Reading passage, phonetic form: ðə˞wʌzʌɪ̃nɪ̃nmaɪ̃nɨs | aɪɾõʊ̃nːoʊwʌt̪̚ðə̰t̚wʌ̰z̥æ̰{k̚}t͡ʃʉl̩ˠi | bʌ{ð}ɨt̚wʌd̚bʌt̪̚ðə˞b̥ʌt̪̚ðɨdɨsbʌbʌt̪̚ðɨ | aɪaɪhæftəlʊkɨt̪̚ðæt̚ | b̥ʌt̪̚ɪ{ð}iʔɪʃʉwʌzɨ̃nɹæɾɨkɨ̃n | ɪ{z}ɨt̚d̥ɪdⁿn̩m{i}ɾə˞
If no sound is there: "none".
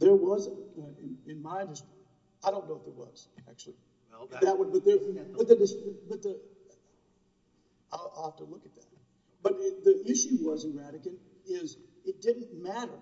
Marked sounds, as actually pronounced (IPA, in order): k̚, ð, ð, z, æ

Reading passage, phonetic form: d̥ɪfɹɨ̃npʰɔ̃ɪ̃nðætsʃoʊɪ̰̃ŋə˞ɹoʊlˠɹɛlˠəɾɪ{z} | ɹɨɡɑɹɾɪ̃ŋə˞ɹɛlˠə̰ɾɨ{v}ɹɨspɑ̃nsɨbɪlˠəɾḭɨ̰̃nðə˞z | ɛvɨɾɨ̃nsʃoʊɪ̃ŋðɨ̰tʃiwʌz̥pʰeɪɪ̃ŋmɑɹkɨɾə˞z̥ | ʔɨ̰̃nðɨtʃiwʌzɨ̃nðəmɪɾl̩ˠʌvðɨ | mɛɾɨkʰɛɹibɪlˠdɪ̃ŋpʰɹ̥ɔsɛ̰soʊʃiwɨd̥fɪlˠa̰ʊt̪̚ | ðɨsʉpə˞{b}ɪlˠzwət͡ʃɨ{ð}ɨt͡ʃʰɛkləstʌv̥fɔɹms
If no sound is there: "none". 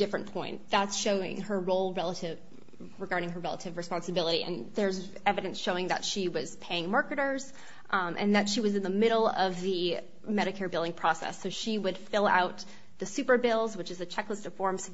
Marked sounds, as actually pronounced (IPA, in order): v, v, b, z

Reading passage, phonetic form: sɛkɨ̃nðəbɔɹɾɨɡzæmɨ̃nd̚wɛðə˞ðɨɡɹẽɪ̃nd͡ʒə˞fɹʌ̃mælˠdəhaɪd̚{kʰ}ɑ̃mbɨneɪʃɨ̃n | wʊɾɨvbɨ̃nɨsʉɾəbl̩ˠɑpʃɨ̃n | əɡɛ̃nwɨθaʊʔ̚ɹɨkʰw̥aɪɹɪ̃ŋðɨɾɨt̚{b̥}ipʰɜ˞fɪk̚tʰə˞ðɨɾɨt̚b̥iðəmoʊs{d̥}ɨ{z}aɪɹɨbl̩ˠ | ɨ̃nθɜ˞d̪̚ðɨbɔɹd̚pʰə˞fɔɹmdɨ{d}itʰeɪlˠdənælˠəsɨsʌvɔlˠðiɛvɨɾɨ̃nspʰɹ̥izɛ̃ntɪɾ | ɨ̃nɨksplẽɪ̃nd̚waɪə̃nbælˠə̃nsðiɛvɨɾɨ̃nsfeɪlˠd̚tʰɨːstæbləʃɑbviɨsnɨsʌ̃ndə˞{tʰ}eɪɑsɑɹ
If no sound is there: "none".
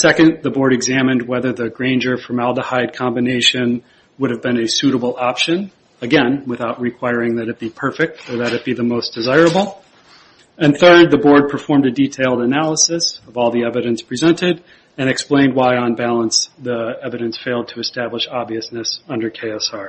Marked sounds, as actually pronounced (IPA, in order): kʰ, b̥, d̥, z, d, kʰ

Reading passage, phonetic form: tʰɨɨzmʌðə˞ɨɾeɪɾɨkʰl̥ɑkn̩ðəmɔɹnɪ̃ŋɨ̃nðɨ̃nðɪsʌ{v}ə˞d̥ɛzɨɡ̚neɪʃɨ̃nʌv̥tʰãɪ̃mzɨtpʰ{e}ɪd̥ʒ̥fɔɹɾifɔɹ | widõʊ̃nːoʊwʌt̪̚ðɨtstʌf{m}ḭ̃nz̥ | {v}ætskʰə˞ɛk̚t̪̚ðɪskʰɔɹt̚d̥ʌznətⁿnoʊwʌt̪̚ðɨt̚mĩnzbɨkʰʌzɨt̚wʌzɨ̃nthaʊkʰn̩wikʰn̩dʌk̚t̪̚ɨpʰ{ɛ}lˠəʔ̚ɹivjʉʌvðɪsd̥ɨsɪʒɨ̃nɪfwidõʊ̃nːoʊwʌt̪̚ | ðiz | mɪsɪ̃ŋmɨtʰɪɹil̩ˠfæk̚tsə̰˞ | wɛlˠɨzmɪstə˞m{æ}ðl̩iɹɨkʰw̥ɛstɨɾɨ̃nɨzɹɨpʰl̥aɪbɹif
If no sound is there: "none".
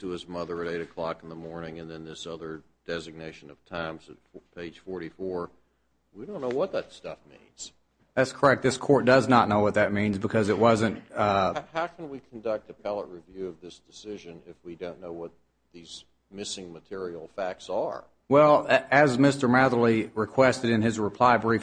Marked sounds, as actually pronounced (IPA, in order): ð, e, m, ð, æ, æ

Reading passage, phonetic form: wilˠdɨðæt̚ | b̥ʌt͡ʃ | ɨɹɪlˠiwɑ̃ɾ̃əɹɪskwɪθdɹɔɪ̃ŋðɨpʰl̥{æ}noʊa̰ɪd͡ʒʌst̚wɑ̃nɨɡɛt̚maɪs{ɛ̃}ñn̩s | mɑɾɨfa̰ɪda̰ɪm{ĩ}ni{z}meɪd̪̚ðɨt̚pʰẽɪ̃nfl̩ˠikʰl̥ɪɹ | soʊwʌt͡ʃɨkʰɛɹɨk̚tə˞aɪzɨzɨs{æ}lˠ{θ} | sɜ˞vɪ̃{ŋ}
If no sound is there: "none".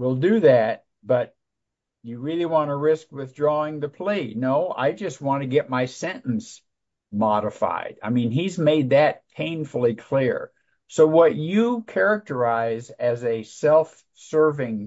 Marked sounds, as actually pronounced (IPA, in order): i, ɛ̃, ĩ, z, ɛ, f, ŋ

